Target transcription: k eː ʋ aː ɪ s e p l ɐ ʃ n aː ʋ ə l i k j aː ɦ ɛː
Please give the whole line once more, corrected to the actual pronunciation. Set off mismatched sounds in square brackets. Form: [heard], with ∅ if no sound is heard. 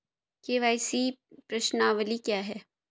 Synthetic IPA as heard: k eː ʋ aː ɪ s [i] p [ɾ] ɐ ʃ n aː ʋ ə l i k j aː ɦ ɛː